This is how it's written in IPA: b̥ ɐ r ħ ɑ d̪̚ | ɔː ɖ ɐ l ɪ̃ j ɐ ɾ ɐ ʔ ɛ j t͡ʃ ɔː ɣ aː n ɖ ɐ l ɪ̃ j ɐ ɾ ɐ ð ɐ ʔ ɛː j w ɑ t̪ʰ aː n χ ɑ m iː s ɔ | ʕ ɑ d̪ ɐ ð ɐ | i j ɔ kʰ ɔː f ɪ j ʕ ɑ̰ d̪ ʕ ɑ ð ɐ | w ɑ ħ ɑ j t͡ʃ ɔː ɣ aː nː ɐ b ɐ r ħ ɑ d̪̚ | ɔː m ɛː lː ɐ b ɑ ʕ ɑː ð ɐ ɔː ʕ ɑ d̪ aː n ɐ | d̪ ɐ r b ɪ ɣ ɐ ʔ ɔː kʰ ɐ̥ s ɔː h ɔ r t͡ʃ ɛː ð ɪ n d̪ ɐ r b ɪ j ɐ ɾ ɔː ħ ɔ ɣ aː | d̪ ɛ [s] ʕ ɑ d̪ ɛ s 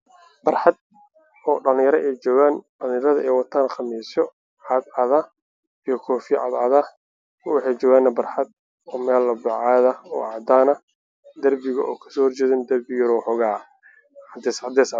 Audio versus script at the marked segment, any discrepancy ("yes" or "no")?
no